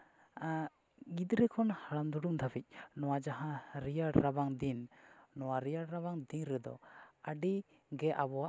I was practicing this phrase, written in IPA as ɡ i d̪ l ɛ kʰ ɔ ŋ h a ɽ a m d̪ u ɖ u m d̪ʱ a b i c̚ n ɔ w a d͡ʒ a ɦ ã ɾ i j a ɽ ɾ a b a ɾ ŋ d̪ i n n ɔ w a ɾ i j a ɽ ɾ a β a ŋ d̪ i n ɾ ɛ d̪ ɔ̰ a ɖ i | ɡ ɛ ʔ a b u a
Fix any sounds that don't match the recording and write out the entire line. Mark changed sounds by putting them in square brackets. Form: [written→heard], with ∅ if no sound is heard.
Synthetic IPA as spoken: ɡ i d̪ [l→ɾ] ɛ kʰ ɔ [ŋ→n] h a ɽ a m d̪ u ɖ u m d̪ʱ a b i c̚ n ɔ w a d͡ʒ a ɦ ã ɾ i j a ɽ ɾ a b a [ɾ→∅] ŋ d̪ i n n ɔ w a ɾ i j a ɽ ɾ a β a ŋ d̪ i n ɾ ɛ d̪ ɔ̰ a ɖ i | ɡ ɛ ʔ a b [u→ɔ] a